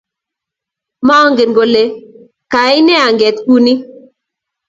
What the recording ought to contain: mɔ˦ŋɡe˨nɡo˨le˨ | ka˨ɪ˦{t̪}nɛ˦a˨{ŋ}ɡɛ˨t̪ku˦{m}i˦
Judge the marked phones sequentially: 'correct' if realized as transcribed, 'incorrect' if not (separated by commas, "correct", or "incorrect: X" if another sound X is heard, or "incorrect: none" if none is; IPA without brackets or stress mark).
incorrect: none, correct, incorrect: n